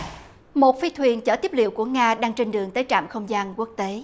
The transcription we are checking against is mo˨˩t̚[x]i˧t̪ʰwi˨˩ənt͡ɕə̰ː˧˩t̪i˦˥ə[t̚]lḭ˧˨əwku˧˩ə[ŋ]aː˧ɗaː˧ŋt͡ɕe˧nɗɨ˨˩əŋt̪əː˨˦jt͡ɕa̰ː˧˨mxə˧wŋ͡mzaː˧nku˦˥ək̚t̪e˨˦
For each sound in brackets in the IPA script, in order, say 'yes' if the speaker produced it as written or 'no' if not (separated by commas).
no, no, yes